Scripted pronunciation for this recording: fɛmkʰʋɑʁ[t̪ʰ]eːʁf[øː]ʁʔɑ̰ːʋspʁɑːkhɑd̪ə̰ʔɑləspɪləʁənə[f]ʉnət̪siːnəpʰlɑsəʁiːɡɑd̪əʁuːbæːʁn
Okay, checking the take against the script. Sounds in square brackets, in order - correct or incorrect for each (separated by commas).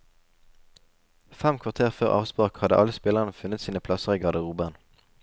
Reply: correct, correct, correct